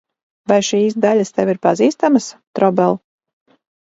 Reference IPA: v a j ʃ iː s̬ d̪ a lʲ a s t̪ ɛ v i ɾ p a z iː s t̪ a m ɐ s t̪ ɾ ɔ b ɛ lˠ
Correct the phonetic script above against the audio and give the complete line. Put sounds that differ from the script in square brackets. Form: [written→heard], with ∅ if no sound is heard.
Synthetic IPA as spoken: v a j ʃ iː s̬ d̪ a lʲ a s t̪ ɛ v i ɾ p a z iː s t̪ a m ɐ s t̪ ɾ ɔ b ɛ lˠ